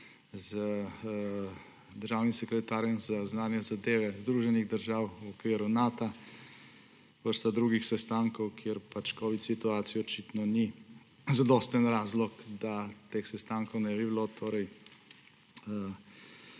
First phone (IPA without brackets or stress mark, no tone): z